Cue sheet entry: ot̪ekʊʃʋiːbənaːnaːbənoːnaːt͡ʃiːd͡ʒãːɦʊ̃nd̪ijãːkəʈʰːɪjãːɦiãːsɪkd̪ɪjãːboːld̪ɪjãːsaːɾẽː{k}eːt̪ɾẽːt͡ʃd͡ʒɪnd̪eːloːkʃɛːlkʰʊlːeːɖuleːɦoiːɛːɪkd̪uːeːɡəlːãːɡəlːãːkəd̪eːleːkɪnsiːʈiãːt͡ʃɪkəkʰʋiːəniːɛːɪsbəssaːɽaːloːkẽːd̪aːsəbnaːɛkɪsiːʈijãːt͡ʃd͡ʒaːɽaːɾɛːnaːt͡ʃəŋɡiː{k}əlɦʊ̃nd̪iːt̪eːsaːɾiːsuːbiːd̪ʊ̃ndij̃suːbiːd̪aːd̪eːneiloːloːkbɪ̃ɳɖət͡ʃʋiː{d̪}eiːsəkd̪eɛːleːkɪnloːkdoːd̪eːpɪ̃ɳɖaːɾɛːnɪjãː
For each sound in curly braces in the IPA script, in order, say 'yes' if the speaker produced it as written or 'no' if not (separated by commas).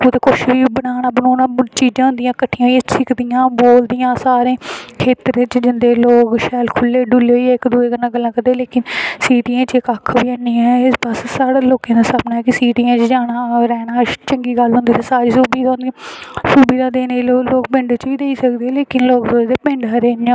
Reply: no, no, yes